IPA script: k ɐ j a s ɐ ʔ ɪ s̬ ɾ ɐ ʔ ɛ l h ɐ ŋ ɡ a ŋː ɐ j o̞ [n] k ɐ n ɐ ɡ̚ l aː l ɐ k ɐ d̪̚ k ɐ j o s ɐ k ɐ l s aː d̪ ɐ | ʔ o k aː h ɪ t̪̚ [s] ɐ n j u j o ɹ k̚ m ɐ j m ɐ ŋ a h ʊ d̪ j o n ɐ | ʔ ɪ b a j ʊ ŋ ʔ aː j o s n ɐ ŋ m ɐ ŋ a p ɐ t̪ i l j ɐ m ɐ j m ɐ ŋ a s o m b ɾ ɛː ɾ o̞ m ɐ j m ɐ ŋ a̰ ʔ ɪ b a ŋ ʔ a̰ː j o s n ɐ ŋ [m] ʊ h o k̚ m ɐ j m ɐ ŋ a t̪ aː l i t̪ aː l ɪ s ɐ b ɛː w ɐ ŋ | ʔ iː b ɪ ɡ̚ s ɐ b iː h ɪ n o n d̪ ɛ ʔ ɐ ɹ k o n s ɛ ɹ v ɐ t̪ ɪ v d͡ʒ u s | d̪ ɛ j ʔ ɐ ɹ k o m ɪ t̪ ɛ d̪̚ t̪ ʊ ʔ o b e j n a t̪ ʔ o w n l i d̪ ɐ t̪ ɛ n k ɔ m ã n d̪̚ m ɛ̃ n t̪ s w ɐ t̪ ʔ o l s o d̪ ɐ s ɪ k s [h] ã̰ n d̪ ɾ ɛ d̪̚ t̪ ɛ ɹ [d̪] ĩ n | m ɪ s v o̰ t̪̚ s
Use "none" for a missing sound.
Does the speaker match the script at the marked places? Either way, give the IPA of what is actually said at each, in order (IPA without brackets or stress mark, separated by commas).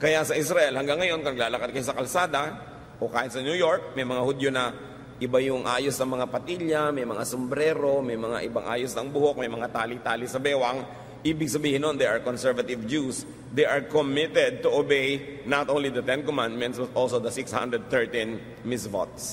n, s, b, h, t̪